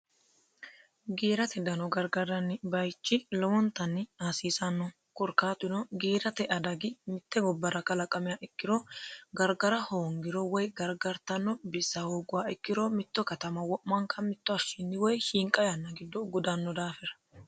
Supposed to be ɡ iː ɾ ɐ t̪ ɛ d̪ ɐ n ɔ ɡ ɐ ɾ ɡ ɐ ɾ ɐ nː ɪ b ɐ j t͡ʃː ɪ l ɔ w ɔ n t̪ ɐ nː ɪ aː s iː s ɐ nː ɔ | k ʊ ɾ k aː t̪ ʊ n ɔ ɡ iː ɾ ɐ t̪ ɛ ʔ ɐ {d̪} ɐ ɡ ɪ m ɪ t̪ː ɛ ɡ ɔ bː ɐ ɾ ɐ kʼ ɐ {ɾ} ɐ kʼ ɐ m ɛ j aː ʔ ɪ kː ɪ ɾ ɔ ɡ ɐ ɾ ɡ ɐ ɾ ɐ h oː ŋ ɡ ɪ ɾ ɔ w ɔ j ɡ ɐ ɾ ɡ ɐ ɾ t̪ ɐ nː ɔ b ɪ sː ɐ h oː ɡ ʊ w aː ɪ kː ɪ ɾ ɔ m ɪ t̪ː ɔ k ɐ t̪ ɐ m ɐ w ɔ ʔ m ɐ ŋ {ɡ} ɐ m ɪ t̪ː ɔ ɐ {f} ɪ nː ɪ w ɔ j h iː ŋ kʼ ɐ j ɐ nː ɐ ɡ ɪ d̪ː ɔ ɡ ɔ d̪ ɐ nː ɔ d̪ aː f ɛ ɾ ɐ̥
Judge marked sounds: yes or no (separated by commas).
yes, no, no, no